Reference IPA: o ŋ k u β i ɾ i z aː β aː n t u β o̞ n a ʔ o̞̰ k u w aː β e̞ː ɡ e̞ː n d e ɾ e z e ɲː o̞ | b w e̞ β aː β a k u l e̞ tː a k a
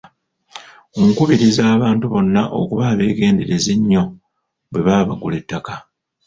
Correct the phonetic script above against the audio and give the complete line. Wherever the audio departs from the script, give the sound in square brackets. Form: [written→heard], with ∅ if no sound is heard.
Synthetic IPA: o ŋ k u β i ɾ i z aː β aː n t u β o̞ [n→nː] a ʔ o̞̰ k u [w→β] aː β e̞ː ɡ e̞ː n d e ɾ e z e ɲː o̞ | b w e̞ β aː β a [k→ɡ] u l e̞ tː a k a